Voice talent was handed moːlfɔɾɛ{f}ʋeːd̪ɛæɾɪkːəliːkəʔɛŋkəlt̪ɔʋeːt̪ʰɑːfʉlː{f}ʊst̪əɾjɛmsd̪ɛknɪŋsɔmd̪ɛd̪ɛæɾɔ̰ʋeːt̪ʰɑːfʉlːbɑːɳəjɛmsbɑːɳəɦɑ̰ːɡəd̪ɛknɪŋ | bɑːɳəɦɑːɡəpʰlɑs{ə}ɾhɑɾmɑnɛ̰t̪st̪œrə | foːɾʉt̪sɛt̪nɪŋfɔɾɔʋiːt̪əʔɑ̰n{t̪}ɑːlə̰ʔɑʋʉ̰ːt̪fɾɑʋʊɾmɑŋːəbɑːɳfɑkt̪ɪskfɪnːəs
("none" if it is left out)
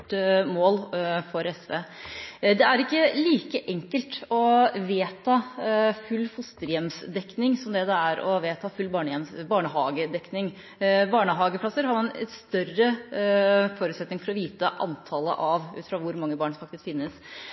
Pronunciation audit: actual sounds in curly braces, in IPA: s, f, ə, t̪ʰ

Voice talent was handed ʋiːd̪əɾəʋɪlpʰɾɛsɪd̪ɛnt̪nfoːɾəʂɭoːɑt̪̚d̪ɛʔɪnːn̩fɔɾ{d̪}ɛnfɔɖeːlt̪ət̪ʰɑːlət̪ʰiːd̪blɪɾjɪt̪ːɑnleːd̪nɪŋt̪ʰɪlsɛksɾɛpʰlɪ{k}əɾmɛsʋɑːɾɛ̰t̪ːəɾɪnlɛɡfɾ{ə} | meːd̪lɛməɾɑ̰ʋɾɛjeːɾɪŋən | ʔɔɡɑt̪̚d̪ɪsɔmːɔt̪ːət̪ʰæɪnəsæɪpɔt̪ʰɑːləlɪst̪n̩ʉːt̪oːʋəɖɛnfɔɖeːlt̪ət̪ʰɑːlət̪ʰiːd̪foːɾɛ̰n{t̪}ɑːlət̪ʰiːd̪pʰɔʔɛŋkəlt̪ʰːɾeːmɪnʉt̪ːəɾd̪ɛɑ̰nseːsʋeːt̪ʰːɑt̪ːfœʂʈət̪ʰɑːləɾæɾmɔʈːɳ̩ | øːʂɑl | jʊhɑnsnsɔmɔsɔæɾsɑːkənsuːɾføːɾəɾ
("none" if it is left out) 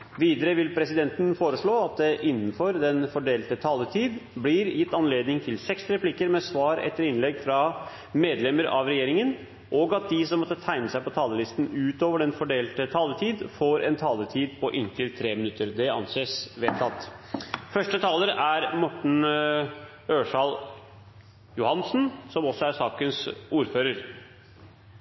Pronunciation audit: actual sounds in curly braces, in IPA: d̪, k, ɑ, t̪ʰ

